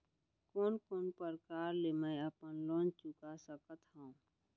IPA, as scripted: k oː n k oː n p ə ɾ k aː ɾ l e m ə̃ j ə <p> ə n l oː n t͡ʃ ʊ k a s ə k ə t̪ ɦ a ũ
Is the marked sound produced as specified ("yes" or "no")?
yes